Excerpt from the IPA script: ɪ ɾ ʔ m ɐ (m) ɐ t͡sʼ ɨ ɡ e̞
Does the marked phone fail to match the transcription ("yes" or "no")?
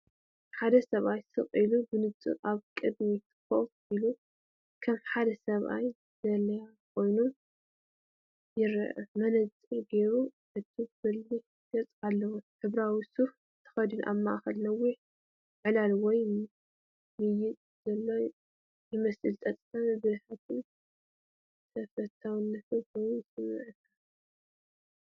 yes